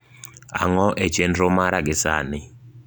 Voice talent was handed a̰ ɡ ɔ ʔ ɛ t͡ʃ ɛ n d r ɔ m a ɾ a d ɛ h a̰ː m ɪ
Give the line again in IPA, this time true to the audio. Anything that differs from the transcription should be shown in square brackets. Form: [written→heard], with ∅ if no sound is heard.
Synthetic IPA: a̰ [ɡ→ŋ] ɔ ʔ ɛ t͡ʃ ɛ n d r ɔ m a ɾ a [d→ɡ] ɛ [h→s] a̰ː [m→n] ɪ